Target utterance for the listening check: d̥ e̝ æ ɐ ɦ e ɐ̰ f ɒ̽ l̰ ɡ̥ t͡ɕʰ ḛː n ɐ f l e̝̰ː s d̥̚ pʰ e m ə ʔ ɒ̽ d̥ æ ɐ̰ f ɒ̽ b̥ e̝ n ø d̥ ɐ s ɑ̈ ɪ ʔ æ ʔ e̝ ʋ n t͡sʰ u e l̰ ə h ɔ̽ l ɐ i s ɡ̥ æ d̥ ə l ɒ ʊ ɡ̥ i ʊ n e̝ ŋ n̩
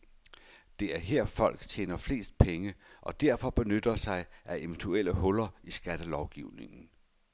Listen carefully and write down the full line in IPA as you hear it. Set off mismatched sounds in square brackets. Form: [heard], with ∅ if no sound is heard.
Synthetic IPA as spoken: d̥ e̝ æ ɐ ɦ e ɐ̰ f ɒ̽ l̰ ɡ̥ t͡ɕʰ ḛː n ɐ f l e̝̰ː s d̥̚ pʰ e [ŋ] ə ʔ ɒ̽ d̥ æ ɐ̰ f ɒ̽ b̥ e̝ n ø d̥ ɐ s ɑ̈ ɪ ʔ æ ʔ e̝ ʋ n t͡sʰ u e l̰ ə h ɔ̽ l ɐ i s ɡ̥ æ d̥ ə l ɒ ʊ ɡ̥ i ʊ n e̝ ŋ n̩